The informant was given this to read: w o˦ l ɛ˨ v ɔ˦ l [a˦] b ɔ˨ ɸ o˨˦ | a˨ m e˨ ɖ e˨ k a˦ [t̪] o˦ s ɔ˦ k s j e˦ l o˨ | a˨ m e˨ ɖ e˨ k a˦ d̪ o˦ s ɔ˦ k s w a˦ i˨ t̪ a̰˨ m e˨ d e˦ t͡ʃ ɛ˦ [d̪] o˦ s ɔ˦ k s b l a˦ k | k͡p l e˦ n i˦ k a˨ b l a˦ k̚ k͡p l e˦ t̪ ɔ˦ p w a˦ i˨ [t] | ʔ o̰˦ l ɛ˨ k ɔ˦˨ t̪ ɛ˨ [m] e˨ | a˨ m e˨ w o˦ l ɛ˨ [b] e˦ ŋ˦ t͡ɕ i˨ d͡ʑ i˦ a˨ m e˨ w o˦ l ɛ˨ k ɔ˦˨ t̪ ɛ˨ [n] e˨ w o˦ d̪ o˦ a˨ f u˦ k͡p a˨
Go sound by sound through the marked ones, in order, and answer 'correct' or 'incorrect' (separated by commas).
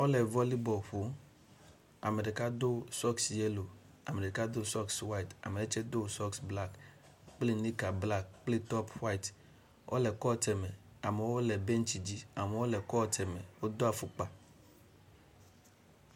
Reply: incorrect, incorrect, correct, correct, correct, correct, incorrect